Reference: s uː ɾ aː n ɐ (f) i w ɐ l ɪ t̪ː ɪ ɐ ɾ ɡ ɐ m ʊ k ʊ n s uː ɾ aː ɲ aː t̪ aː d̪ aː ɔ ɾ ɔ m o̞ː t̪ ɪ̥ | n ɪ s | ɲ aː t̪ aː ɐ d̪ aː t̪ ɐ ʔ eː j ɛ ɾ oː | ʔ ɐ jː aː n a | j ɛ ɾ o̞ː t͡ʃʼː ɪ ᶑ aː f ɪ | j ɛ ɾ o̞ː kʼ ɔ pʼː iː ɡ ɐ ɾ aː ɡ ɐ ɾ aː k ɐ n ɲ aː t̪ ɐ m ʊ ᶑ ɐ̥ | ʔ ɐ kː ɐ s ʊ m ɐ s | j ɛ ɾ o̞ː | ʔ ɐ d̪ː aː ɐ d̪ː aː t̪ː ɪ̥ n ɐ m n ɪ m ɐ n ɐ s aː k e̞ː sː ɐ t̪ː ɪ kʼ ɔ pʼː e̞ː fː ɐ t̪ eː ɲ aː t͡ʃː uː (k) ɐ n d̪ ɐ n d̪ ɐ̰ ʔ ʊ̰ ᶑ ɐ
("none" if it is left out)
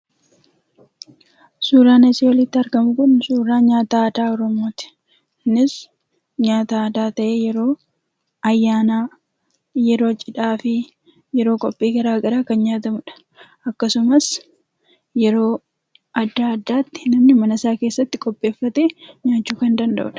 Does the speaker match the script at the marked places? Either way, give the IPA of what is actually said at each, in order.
s, k

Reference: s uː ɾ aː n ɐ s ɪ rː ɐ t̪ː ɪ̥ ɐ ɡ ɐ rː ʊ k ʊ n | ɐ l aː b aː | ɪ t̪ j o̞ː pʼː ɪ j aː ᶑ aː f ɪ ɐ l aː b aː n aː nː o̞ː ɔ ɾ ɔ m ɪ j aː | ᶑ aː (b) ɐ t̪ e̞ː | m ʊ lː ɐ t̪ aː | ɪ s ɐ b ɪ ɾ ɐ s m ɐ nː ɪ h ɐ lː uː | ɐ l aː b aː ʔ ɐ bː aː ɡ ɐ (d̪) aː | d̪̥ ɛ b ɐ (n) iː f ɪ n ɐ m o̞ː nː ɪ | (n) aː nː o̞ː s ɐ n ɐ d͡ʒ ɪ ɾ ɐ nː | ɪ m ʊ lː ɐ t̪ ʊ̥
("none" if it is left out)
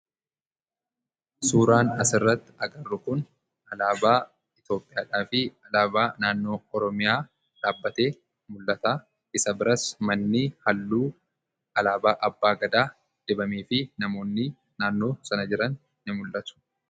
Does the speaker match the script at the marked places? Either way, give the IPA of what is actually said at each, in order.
bː, d̪, m, n

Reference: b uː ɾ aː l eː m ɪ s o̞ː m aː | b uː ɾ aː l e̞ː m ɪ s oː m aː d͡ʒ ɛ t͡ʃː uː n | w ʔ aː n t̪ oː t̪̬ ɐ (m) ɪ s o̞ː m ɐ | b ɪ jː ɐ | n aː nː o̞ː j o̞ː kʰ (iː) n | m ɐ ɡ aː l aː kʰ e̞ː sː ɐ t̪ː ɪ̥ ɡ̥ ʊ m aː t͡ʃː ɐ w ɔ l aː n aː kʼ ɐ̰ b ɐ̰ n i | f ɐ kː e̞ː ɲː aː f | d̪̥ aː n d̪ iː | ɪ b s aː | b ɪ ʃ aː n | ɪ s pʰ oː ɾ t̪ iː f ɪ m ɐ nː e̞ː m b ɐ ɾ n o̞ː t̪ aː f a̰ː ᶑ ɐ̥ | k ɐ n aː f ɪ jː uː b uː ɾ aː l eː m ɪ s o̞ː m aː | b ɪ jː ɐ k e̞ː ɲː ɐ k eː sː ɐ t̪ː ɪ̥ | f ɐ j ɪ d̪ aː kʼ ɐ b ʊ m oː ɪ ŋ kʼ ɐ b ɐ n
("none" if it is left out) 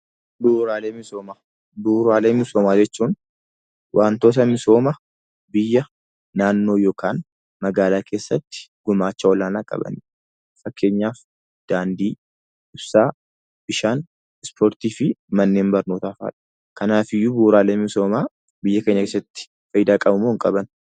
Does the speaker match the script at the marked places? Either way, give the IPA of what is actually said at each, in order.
m, aː

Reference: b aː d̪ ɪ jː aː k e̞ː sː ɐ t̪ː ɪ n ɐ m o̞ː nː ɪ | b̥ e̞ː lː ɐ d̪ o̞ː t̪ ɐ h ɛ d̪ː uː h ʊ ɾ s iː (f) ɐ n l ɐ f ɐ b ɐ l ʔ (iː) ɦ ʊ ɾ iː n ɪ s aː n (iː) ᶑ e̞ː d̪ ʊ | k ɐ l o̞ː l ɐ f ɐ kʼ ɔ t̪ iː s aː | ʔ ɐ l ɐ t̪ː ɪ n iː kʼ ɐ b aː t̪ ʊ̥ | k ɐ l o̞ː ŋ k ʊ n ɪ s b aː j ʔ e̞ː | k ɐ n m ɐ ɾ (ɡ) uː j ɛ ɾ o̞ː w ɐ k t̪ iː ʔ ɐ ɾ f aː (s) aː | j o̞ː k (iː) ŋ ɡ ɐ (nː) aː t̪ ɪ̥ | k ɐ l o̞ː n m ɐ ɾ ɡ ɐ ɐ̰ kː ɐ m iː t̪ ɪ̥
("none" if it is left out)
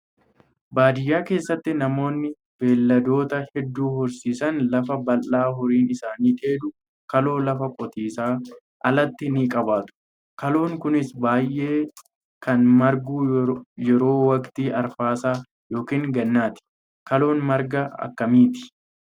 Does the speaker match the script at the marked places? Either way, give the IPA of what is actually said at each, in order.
s, aː, iː, ɡ, s, iː, nː

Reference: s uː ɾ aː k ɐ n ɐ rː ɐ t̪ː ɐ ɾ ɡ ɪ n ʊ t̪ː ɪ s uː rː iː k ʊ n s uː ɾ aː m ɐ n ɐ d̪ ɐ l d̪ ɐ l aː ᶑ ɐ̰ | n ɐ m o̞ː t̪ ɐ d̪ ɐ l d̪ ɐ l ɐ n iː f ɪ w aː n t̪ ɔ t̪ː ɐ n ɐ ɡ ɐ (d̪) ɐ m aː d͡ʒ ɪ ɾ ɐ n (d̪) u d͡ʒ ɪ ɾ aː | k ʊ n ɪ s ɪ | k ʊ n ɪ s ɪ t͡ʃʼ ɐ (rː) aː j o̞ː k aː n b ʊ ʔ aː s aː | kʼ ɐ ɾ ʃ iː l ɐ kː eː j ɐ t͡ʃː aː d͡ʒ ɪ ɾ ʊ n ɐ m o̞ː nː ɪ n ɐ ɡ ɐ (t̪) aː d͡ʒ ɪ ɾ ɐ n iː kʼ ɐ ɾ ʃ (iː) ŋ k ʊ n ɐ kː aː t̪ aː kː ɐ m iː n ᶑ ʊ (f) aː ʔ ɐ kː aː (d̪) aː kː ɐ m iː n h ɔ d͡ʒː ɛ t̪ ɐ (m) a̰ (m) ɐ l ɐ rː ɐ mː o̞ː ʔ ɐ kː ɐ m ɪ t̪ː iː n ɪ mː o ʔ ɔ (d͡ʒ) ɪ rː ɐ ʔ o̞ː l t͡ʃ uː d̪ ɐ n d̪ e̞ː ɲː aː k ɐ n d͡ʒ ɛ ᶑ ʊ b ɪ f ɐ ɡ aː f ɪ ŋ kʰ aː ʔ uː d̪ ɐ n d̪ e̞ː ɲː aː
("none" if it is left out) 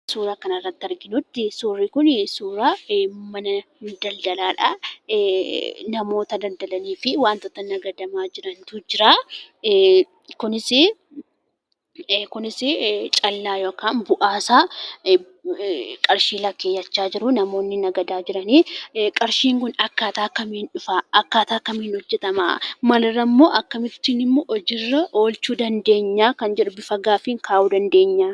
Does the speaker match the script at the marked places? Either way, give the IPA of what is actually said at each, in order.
d̪, t̪, lː, d̪, iː, f, t̪, m, m, d͡ʒ

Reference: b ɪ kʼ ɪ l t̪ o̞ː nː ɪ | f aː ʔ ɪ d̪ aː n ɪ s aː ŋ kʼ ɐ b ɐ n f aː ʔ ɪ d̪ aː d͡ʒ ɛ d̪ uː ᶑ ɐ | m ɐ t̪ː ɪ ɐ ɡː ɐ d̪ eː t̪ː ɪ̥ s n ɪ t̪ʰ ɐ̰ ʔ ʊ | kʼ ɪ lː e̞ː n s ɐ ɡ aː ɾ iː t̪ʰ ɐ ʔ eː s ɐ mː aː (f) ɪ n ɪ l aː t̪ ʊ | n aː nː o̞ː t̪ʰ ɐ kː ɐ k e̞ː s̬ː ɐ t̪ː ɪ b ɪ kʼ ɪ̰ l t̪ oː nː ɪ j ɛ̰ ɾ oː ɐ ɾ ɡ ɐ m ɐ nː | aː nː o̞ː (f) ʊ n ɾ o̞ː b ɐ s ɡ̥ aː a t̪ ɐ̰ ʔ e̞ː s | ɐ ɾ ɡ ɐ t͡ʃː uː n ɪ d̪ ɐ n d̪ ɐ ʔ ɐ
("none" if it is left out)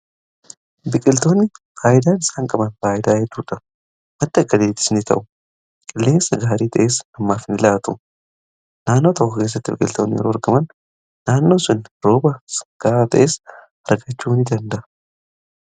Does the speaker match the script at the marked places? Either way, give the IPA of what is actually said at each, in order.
f, s

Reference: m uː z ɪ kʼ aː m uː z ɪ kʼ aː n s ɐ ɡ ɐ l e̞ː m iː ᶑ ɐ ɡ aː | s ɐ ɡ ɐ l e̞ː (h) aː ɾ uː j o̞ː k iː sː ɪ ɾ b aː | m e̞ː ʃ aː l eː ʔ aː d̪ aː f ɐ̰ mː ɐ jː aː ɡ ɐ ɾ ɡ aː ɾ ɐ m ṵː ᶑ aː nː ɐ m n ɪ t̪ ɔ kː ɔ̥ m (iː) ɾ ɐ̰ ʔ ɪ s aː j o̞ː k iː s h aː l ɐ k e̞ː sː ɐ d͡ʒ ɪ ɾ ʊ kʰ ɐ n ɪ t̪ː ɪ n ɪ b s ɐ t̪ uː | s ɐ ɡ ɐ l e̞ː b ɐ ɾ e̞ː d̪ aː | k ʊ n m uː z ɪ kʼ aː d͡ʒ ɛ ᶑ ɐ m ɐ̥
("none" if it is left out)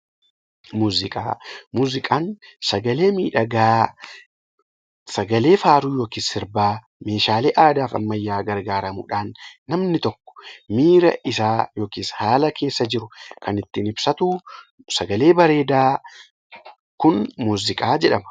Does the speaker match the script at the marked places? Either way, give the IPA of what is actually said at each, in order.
f, iː

